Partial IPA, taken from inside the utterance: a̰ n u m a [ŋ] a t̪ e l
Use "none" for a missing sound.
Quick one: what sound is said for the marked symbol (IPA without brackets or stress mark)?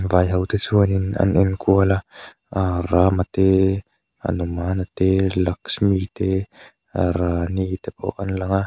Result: n